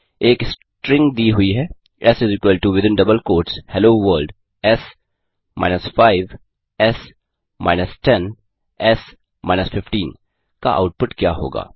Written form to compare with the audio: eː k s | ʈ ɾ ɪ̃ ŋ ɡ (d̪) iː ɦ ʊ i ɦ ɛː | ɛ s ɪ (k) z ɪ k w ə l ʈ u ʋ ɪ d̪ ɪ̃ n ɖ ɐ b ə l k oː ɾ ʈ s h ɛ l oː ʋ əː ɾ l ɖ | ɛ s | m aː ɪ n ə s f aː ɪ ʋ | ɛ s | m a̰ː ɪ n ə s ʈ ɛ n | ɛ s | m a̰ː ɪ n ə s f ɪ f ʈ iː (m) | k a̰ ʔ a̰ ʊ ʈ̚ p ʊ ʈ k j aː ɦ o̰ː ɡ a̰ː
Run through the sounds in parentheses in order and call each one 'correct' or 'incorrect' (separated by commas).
correct, incorrect, incorrect